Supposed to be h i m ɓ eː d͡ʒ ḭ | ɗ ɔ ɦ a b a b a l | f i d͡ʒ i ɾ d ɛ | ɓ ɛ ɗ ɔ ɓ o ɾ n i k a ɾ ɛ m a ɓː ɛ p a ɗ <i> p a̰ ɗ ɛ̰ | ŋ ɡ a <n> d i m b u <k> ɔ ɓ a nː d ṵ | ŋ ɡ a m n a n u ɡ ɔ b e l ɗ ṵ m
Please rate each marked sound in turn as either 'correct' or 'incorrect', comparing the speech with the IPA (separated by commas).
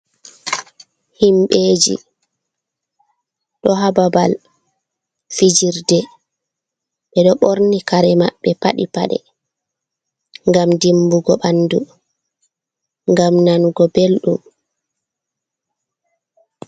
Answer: correct, incorrect, incorrect